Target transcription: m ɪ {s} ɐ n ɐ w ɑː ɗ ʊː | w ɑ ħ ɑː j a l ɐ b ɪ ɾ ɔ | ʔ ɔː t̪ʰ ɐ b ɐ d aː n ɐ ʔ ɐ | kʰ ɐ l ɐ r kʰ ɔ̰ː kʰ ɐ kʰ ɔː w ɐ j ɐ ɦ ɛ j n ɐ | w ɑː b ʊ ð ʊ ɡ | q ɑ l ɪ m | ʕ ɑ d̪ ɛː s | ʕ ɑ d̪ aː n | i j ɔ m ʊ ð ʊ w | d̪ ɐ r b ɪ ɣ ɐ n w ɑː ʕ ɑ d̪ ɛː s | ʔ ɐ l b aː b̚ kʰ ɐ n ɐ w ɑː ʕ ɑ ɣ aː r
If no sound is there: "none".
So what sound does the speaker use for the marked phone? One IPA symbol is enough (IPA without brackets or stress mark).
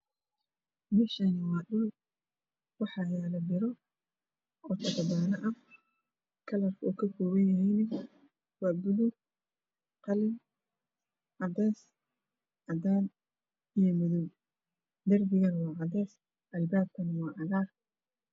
ʃ